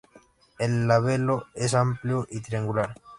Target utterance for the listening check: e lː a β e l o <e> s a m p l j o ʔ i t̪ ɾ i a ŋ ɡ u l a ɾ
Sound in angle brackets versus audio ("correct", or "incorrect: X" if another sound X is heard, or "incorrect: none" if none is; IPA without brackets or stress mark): correct